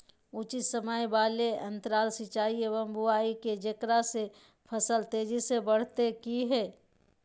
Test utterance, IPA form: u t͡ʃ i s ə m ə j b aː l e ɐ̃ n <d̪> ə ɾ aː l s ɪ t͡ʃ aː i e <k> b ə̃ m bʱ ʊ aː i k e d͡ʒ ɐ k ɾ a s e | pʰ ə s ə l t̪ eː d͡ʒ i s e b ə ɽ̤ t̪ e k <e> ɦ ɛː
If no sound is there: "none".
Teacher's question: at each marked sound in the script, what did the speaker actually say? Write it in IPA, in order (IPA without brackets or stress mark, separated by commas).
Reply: t̪, none, i